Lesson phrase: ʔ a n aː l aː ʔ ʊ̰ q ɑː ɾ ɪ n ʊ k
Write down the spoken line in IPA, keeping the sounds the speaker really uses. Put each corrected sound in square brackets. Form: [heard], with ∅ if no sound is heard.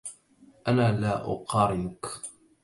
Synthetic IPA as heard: ʔ a n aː l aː ʔ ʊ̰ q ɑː ɾ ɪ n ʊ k